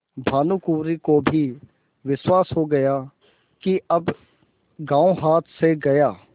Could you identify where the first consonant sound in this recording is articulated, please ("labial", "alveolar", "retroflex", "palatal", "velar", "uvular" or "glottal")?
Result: labial